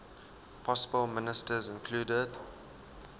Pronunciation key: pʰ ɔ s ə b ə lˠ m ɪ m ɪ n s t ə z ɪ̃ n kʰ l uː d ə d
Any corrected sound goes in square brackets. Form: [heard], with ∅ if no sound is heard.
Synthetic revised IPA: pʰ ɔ s ə b ə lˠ m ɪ [n] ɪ [∅] s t ə z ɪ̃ n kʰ l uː d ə d